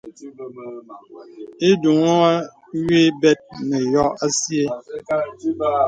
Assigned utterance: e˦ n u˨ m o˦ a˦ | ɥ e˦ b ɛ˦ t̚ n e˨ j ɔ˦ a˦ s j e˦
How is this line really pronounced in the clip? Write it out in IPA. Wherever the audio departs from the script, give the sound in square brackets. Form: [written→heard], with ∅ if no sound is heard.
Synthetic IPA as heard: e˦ [n→d] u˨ [m→ŋ] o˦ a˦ | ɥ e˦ b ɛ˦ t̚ n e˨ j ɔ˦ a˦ s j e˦